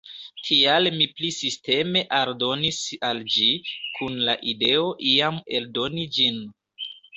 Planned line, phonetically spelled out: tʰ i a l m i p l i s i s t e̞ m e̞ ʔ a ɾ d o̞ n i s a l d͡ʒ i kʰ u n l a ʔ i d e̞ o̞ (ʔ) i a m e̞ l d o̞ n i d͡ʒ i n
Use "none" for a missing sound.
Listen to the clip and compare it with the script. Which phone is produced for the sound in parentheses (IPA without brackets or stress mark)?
ʔ